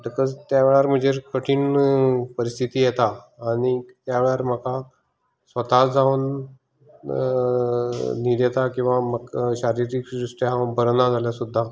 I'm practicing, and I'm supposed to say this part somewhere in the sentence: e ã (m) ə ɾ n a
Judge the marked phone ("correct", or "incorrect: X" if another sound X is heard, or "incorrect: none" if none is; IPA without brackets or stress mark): incorrect: b